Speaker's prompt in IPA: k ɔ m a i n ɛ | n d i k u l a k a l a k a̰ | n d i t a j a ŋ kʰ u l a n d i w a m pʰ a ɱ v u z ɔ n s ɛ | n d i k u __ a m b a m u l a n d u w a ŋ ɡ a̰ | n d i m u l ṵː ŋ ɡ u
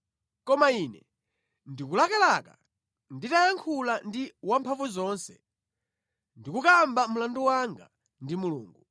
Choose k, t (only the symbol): k